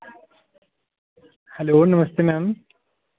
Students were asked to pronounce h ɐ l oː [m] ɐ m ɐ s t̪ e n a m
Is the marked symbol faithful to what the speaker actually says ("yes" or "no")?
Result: no